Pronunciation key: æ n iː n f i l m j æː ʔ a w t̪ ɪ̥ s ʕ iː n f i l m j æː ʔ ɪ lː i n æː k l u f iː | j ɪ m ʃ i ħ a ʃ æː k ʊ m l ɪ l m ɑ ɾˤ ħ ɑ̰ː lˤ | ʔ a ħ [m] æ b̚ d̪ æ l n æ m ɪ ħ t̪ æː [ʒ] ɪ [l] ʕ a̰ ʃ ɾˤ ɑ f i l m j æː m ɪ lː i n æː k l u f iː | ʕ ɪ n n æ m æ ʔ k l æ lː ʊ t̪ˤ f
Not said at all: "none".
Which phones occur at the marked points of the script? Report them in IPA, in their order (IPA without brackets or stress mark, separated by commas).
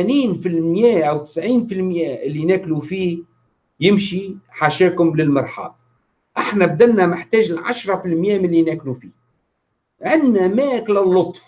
n, ʒ, l